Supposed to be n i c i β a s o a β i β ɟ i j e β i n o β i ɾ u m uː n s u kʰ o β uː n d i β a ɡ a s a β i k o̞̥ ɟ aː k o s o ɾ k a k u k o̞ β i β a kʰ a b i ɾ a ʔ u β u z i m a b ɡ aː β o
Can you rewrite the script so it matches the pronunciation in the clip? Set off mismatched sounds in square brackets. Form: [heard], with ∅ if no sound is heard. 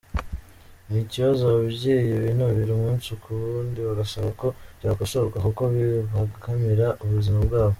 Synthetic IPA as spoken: n i c i β a [z] o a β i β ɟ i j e β i n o β i ɾ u m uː n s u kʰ [u] β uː n d i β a ɡ a s a β [a] k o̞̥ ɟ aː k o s o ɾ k a k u k o̞ β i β a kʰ a [m] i ɾ a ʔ u β u z i m a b ɡ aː β o